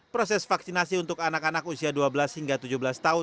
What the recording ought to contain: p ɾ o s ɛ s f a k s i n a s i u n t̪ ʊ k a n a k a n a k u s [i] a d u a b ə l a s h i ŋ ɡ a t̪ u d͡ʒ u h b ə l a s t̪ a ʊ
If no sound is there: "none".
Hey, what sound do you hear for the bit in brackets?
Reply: i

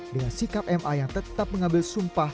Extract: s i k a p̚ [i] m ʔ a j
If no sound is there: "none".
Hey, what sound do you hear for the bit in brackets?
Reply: ɛ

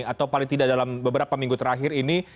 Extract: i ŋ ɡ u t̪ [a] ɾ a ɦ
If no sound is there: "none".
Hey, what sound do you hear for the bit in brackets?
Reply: ə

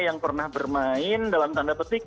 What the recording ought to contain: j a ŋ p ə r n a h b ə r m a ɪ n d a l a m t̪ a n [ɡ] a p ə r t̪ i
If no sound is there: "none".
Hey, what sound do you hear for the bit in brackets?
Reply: d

